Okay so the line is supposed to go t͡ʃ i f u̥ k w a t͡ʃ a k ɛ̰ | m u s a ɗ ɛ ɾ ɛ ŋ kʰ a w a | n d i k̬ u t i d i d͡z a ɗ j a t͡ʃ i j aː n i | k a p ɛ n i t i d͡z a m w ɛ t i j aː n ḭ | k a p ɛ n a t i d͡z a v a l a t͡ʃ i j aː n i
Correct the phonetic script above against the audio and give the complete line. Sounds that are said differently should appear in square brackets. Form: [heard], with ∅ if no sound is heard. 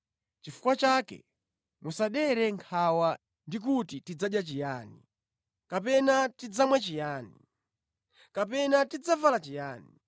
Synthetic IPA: t͡ʃ i f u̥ k w a t͡ʃ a k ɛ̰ | m u s a ɗ ɛ ɾ ɛ ŋ kʰ a w a | n d i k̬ u t i [t] i d͡z a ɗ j a t͡ʃ i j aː n i | k a p ɛ n [a] t i d͡z a m w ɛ [t͡ʃ] i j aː n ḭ | k a p ɛ n a t i d͡z a v a l a t͡ʃ i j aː n i